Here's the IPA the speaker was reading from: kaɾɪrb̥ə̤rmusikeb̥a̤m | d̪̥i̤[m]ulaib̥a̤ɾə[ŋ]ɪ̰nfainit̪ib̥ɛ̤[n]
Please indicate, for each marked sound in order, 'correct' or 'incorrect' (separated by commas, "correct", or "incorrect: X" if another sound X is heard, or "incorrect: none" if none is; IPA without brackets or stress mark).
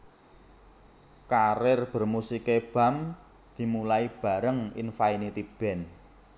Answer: correct, correct, correct